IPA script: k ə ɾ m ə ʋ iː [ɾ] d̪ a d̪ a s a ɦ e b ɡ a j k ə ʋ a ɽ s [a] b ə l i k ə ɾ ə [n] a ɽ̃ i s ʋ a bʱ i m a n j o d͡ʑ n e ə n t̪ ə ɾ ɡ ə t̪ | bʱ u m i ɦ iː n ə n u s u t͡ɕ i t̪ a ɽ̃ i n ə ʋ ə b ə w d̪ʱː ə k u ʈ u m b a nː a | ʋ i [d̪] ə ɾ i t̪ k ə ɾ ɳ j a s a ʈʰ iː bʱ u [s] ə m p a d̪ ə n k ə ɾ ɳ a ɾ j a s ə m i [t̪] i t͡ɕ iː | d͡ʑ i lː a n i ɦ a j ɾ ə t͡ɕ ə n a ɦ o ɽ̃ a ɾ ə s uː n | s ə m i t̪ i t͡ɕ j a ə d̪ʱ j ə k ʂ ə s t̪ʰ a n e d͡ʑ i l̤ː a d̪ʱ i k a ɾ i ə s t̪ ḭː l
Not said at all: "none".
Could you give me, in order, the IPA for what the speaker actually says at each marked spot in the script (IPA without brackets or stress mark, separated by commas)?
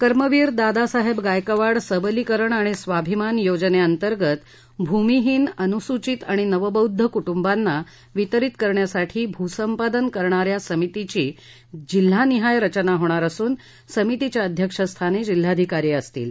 ɾ, ə, ɳ, t̪, s, t̪